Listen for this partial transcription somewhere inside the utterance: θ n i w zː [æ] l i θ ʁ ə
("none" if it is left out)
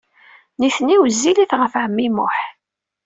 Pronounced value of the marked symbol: i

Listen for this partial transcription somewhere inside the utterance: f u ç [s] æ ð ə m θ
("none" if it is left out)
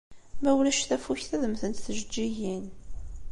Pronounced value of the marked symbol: θ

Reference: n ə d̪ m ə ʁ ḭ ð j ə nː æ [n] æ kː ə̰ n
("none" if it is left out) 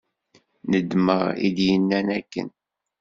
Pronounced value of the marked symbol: n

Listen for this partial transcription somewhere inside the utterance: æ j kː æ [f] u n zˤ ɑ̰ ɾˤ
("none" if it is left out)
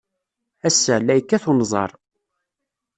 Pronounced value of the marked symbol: θ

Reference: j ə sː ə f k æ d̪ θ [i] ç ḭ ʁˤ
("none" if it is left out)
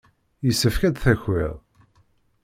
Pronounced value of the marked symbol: æ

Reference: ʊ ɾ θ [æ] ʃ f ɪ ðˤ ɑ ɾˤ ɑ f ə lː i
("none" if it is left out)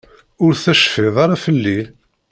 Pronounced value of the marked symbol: æ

